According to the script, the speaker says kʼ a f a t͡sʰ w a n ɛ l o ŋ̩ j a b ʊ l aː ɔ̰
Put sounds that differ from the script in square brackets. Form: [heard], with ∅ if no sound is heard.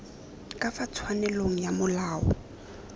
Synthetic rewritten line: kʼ a f a t͡sʰ w a n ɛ l o ŋ̩ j a [m] ʊ l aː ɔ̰